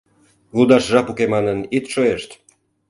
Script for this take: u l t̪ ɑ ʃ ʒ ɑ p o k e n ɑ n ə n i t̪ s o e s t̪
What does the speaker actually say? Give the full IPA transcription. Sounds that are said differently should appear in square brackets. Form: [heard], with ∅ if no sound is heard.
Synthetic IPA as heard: u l [d̪] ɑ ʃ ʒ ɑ p [u] k e [m] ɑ n ə n i t̪ [ʃ] o e [ʃ] t̪

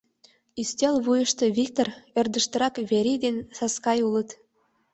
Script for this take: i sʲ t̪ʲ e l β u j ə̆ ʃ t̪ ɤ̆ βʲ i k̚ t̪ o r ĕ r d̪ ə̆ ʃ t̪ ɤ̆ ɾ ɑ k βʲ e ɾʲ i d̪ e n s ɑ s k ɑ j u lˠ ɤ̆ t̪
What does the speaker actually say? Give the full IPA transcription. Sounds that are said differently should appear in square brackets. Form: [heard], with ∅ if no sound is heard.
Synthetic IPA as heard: i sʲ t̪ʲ e l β u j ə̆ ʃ t̪ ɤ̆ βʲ i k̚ t̪ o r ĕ r d̪ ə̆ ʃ t̪ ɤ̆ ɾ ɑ k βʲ e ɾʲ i d̪ e n s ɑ s k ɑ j u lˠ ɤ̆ t̪

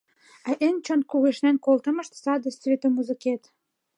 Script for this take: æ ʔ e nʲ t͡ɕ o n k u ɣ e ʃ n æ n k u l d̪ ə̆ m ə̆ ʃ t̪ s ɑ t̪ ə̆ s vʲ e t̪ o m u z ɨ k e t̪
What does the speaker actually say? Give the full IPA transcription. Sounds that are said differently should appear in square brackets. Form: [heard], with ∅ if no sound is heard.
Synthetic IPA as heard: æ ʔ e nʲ t͡ɕ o n k u ɣ e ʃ n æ n k [o] l [t̪] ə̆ m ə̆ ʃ t̪ s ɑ [d̪] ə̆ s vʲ e t̪ o m u z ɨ k e t̪

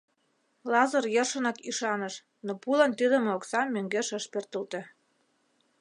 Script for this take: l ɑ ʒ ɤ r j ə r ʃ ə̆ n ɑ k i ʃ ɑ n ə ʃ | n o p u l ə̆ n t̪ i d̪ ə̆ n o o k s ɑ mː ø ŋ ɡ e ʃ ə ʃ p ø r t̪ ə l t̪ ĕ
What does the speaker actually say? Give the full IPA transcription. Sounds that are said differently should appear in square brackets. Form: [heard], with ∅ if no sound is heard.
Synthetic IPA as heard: l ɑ [z] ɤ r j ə r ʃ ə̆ n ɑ k i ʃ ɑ n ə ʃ | n o p u l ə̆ n t̪ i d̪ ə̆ [m] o o k s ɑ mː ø ŋ ɡ e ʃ ə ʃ p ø r t̪ ə l t̪ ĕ

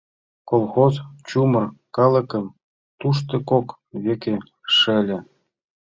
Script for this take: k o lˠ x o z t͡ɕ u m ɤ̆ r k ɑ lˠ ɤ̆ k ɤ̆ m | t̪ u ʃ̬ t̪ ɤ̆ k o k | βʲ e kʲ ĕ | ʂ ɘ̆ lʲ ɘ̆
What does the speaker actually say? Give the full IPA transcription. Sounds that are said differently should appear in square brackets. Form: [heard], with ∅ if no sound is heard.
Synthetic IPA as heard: k o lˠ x o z t͡ɕ u m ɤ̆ r k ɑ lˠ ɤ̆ k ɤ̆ m | t̪ u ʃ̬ t̪ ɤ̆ k o k | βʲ e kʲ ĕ | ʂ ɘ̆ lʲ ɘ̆

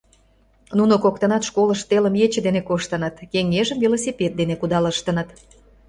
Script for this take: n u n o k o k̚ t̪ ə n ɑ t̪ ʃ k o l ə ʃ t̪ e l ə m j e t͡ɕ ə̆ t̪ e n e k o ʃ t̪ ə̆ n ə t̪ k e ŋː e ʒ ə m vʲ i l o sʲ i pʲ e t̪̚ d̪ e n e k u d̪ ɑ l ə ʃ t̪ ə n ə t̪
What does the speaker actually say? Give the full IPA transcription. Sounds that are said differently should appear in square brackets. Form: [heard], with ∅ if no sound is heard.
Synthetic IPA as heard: n u n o k o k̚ t̪ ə n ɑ t̪ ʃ k o l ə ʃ t̪ e l ə m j e t͡ɕ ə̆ [d̪] e n e k o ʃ t̪ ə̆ n ə t̪ k e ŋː e ʒ ə m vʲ i l o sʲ i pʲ e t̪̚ d̪ e n e k u d̪ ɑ l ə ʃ t̪ ə n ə t̪

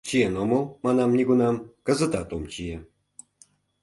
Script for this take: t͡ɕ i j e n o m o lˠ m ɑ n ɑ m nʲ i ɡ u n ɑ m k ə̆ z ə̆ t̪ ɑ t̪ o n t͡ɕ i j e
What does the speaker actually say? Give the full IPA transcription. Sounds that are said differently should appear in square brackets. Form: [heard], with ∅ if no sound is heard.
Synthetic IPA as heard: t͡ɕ i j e n o m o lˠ m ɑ n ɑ m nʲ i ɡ u n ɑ m k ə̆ z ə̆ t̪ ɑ t̪ o [m] t͡ɕ i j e

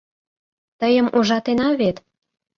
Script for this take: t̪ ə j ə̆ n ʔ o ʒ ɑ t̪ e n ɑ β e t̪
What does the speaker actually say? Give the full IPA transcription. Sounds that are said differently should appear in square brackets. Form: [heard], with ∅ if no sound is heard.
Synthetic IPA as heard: t̪ ə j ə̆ [m] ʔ [u] ʒ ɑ t̪ e n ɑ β e t̪

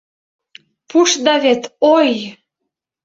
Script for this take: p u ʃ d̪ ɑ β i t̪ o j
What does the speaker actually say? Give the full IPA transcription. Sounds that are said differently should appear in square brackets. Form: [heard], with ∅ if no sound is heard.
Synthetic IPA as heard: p u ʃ d̪ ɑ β [e] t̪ o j

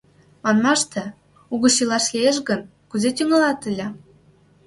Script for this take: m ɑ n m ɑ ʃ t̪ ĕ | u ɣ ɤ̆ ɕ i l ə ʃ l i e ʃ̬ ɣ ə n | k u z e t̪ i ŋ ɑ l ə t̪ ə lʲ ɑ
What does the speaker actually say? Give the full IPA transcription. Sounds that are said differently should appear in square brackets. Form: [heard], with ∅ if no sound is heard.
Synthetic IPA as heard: m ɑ n m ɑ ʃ t̪ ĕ | u ɣ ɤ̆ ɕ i l [ɑ] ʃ l i e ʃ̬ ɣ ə n | k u z e t̪ [y] ŋ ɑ l [ɑ] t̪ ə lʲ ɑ

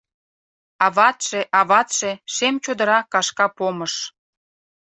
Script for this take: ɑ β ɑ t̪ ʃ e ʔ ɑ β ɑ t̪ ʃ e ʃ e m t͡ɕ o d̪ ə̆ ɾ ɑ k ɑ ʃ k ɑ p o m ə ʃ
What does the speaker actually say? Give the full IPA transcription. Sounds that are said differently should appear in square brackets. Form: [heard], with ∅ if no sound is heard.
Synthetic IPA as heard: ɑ β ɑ t̪ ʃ e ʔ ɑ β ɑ t̪ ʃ e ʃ e m t͡ɕ o d̪ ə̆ ɾ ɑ k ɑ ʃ k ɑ p o m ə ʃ

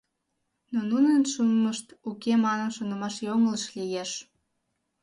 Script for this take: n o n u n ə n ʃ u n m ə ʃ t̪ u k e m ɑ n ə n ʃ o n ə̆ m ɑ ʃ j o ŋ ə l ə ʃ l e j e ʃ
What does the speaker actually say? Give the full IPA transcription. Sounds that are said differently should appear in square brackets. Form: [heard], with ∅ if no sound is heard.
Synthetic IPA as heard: n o n u n ə n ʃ u n m ə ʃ t̪ u k e m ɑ n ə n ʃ o n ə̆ m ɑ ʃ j o ŋ ə l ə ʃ l [i] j e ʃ

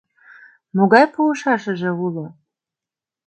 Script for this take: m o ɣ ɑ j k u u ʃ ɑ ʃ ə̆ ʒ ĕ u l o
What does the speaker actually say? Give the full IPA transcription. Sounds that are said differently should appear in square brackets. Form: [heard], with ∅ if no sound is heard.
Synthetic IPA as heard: m o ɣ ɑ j [p] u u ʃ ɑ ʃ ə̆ ʒ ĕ u l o

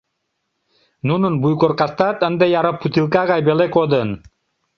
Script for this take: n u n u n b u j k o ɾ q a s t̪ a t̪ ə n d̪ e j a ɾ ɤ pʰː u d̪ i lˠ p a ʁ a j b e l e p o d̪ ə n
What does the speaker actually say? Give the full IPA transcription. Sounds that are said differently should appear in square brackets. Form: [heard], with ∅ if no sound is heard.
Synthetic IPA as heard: n u n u n b u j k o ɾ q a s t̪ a t̪ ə n d̪ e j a ɾ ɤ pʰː u [t̪] i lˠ [k] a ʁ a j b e l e [k] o d̪ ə n

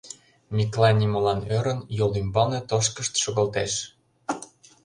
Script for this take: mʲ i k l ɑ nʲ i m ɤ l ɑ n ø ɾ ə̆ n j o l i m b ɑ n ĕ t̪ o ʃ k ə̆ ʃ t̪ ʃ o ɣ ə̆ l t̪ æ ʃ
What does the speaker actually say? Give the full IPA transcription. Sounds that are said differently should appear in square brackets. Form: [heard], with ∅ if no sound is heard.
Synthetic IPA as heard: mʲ i k l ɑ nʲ i m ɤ l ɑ n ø ɾ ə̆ n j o l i m b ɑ n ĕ t̪ o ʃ k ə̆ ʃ t̪ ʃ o ɣ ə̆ l t̪ [e] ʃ

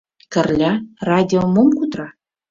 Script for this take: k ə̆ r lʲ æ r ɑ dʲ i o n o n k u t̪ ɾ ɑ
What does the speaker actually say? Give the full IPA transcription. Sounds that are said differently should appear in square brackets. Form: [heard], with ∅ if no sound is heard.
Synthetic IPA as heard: k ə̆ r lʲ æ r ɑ dʲ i o [m] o [m] k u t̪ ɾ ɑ

